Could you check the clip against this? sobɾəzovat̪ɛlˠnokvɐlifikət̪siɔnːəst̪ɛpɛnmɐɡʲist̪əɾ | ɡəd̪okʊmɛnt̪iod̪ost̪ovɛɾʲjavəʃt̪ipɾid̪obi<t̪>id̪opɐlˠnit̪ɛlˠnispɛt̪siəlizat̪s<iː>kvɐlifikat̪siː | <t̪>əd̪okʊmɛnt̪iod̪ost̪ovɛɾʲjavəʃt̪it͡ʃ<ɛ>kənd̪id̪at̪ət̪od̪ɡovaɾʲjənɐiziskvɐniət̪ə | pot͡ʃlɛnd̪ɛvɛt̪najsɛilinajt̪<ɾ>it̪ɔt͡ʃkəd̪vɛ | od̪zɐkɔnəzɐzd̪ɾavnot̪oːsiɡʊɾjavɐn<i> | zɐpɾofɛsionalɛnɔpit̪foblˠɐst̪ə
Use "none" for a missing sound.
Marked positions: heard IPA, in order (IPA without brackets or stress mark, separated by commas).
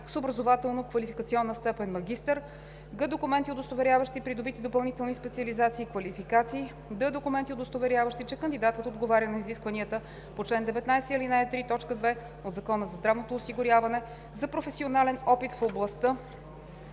t̪, iː, d̪, ɛ, ɾ, ɛ